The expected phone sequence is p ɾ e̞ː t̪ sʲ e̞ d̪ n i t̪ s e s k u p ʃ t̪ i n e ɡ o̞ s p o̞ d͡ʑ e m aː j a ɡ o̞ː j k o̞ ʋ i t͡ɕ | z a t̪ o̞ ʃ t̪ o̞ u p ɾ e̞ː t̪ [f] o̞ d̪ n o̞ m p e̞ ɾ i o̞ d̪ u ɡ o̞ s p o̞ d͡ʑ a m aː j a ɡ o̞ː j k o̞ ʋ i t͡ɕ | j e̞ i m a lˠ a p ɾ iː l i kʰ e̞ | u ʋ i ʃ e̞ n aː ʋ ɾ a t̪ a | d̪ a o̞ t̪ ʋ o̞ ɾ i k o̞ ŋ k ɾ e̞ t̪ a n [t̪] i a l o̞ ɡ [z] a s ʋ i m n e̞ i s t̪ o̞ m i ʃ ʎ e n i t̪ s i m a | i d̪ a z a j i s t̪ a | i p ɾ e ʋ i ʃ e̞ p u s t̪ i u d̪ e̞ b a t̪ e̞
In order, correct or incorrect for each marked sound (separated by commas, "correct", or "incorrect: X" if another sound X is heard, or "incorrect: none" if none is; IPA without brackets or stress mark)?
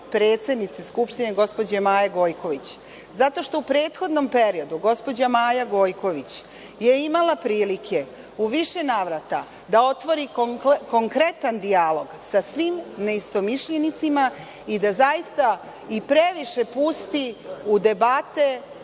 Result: incorrect: x, incorrect: d̪, incorrect: s